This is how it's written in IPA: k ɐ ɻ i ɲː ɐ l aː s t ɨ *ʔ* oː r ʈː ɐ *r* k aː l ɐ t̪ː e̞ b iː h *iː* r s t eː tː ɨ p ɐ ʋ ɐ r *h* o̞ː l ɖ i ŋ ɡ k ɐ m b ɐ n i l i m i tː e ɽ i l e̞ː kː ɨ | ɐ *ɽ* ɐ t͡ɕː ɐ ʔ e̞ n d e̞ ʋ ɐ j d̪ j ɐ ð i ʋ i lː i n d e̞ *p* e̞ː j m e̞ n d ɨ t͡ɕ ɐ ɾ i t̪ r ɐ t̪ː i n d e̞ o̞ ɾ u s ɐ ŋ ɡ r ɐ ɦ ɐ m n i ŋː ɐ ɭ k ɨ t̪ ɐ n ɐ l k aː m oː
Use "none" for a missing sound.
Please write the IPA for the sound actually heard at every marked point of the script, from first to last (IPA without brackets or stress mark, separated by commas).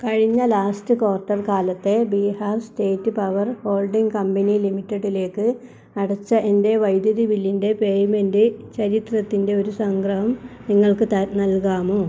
k, r, aː, h, ɽ, p